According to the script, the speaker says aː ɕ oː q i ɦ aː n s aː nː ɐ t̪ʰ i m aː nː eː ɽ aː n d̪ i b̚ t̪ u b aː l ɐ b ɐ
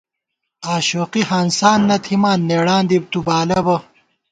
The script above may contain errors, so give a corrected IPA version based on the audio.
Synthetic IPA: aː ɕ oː q i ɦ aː n s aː nː ɐ t̪ʰ i m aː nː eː ɽ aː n d̪ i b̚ t̪ u b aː l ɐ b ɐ